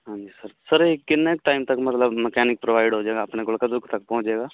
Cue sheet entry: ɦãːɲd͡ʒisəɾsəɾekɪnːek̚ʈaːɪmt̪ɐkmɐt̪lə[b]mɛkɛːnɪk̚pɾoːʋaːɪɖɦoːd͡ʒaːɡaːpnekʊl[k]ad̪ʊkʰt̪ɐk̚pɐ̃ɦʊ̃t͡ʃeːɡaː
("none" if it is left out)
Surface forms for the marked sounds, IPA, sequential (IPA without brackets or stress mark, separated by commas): b, k